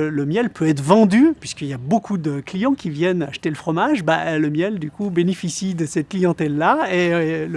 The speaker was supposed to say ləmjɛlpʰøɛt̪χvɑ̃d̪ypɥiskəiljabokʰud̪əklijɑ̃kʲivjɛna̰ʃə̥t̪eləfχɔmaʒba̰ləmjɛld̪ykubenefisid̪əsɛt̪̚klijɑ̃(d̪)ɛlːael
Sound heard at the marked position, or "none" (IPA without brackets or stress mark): t̪